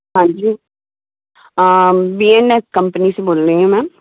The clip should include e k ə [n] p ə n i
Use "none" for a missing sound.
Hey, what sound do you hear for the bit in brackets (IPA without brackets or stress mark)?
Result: m